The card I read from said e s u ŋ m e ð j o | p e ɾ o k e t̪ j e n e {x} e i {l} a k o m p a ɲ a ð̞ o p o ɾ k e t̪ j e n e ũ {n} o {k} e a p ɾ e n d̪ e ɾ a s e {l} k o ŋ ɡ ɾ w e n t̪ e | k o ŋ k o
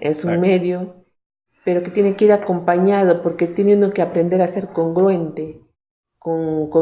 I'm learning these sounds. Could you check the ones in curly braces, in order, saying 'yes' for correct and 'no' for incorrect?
no, no, yes, yes, no

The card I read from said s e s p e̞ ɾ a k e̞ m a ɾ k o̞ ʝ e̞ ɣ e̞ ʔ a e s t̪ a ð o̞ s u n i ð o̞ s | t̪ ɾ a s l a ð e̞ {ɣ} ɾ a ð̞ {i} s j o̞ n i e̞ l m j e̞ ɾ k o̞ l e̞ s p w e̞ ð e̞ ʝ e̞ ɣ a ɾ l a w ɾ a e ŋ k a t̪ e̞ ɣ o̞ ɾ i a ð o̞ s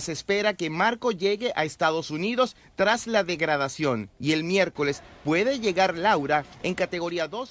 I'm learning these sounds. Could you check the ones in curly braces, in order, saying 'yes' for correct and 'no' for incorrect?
yes, no

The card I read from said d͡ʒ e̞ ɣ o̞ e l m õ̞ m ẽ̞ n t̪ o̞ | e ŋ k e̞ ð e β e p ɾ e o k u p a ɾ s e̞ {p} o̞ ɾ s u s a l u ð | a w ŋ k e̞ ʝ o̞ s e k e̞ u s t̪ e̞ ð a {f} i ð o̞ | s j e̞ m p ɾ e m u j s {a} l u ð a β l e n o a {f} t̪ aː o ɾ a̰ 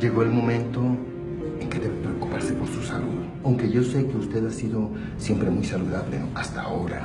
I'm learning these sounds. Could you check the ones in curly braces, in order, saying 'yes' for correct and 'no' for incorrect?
yes, no, yes, no

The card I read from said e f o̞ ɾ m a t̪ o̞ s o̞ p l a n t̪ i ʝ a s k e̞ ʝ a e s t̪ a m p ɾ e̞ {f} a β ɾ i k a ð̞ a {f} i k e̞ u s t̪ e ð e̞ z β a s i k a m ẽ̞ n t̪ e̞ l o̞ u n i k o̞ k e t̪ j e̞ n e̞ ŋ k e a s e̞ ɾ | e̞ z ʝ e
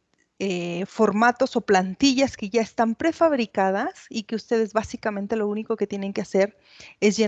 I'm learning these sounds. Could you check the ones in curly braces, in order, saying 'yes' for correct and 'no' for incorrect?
yes, no

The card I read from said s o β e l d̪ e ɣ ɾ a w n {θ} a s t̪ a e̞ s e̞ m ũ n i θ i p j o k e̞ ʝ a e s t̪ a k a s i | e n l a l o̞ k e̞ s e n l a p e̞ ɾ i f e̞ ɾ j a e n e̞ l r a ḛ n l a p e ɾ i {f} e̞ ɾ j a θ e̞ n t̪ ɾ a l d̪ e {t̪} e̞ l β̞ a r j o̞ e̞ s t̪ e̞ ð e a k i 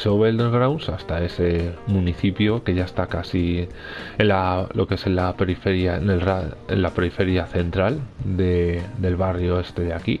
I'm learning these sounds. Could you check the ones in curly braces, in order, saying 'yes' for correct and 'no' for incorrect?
no, yes, no

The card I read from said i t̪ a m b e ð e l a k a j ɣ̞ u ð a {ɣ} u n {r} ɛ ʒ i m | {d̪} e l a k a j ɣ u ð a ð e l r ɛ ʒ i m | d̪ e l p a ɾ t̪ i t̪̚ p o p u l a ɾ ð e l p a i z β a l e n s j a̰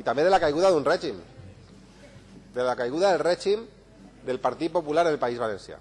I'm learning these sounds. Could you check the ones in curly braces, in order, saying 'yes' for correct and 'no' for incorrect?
no, yes, yes

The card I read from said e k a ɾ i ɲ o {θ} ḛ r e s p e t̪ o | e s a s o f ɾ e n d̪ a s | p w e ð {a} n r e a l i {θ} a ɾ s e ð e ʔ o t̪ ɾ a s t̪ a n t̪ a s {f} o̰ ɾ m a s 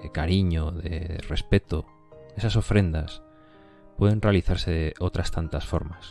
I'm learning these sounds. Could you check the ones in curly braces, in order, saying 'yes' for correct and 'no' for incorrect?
no, no, yes, yes

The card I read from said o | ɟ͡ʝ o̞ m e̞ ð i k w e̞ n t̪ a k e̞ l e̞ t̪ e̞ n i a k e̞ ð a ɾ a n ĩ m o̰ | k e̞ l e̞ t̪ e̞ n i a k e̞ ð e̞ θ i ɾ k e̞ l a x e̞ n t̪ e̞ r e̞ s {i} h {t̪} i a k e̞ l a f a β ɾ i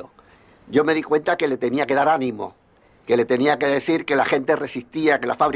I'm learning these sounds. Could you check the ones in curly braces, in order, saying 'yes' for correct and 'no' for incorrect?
yes, yes

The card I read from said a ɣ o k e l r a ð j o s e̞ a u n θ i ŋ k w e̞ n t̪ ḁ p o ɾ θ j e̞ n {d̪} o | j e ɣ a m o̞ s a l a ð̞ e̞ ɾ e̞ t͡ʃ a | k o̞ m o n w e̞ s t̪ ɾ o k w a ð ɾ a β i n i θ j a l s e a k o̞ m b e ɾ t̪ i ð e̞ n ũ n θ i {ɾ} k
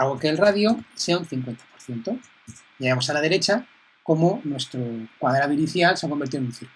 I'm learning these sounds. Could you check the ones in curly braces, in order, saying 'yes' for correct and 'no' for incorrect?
no, yes

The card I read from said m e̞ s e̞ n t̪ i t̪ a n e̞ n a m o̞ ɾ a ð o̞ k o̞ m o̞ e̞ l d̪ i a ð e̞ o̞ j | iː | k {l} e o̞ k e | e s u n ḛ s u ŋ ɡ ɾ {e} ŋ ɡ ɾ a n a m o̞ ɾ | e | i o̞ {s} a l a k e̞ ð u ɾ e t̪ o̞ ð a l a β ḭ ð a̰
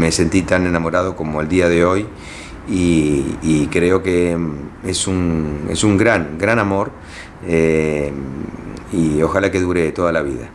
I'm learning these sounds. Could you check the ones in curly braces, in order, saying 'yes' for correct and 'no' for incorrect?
no, no, no

